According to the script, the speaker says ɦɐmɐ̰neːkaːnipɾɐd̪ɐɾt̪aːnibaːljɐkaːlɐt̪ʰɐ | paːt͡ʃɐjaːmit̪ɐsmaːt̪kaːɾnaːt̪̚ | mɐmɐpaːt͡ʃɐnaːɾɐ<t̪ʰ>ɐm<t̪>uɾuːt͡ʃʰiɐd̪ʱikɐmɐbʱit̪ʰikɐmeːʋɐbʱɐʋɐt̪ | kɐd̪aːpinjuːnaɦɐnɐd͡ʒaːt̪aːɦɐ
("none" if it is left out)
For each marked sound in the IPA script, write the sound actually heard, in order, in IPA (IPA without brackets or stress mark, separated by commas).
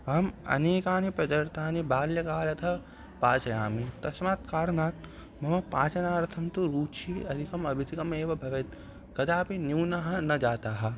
t̪ʰ, t̪